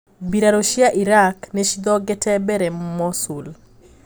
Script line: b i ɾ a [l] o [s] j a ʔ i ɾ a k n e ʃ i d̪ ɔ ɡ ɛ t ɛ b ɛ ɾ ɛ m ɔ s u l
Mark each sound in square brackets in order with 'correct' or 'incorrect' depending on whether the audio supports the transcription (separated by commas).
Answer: incorrect, incorrect